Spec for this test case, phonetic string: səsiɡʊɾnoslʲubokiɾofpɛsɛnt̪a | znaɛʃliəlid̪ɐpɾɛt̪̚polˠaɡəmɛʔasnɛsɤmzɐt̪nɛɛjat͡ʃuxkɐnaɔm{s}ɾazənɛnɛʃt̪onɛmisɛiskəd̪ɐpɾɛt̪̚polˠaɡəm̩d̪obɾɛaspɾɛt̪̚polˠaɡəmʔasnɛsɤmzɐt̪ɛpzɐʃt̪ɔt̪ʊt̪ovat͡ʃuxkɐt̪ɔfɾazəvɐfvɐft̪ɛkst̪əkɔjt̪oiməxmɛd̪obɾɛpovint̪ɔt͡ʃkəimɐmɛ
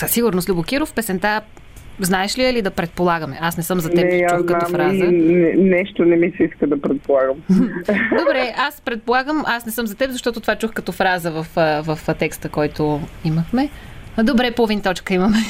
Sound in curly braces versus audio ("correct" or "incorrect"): incorrect